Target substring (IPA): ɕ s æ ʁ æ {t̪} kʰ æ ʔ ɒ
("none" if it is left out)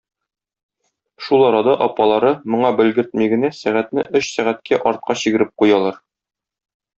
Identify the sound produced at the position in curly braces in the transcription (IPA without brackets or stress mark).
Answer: t̪